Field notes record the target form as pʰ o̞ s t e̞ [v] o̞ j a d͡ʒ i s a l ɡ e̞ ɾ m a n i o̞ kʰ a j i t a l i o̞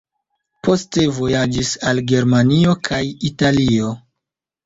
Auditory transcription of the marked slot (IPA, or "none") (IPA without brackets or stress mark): v